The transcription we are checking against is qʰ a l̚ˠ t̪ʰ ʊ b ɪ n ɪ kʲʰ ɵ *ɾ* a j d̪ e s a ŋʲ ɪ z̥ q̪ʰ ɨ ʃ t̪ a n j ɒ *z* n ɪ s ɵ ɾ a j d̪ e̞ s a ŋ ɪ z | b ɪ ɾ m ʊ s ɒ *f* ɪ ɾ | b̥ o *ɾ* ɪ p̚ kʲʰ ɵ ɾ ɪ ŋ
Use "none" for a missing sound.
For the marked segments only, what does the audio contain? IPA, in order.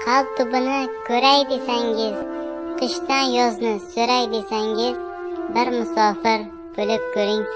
ɾ, z, f, l

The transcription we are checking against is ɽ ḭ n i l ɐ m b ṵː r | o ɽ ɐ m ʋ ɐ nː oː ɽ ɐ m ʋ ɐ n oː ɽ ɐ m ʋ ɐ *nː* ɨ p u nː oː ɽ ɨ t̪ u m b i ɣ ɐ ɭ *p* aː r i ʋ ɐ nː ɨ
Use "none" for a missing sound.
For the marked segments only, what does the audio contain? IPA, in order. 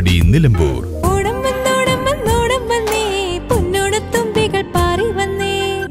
nː, p

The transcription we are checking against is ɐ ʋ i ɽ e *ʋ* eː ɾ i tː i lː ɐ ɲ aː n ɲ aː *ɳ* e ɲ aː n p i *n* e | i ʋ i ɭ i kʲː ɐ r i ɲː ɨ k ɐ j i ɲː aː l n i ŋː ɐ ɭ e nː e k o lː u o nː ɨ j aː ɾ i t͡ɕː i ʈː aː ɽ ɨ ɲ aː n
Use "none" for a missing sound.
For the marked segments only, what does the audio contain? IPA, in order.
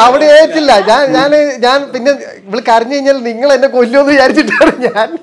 none, n, nː

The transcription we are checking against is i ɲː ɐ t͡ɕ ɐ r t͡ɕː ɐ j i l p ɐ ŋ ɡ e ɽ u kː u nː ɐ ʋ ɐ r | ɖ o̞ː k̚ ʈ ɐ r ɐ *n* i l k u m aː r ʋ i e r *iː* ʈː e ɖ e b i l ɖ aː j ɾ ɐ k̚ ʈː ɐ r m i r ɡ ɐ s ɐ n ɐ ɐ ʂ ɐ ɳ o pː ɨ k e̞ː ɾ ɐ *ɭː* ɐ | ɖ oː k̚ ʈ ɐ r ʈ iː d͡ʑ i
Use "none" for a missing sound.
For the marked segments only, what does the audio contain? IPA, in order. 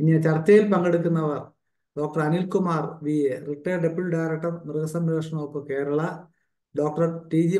n, i, ɭ

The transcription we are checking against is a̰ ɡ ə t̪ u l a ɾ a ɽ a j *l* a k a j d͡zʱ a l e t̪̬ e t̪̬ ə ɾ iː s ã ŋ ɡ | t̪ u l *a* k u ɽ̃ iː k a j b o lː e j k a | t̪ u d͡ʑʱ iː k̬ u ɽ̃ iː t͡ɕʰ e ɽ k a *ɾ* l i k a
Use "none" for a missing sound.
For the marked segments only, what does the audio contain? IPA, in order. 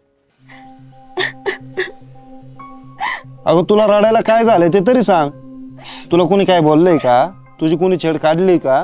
l, a, ɽ

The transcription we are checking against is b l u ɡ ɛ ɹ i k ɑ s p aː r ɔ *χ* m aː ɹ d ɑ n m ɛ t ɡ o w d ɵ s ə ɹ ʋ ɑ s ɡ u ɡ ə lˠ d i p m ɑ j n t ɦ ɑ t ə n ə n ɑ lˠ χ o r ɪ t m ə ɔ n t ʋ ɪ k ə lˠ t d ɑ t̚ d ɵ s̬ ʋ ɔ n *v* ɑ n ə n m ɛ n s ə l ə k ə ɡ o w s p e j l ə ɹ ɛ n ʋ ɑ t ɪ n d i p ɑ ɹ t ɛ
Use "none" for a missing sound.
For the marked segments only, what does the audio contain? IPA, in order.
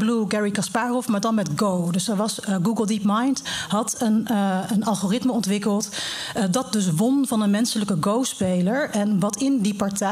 f, v

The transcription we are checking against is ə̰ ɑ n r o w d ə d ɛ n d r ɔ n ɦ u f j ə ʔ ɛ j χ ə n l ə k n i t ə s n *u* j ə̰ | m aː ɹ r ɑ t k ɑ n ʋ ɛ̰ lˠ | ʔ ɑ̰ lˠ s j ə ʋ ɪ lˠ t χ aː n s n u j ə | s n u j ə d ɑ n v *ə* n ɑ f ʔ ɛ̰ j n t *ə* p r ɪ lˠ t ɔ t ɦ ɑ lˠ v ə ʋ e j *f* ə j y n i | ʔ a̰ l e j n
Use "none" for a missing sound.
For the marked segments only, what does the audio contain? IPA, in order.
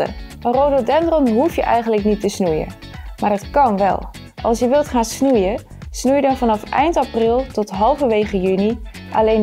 u, ɑ, ɑ, χ

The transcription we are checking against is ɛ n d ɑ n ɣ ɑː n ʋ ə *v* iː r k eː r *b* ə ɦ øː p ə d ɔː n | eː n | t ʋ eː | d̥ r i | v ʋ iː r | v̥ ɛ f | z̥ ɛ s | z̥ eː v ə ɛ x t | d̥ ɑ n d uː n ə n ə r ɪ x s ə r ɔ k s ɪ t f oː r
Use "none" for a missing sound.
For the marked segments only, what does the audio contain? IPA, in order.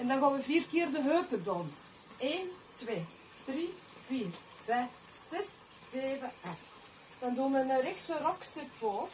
v, d

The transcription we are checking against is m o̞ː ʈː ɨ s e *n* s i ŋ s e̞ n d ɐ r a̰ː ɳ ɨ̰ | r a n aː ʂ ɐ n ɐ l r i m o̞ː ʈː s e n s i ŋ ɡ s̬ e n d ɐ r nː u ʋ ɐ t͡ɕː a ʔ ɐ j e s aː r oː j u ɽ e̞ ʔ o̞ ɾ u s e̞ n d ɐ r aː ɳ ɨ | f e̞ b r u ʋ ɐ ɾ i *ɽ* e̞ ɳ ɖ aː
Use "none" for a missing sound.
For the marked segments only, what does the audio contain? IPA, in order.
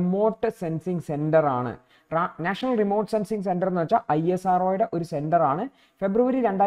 n, ɾ

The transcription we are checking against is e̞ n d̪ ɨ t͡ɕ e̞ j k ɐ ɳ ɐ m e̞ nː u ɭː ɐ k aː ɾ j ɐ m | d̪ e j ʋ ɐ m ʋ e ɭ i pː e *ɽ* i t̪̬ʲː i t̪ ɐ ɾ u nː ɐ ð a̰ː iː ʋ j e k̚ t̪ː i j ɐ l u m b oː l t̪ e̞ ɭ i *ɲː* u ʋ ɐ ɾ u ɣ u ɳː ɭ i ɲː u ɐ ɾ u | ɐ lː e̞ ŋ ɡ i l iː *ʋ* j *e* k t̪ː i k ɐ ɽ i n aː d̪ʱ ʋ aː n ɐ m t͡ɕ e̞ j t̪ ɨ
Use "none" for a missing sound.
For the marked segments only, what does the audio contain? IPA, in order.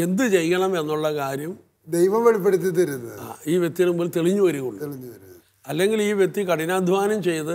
ɽ, ɲː, ʋ, e

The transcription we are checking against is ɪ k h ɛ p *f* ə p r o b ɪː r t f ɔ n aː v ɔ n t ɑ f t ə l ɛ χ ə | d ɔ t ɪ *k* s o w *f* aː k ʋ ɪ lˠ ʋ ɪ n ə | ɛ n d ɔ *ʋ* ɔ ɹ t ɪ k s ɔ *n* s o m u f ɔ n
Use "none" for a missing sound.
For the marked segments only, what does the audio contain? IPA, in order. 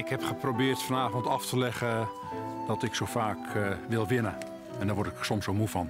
χ, k, f, ʋ, m

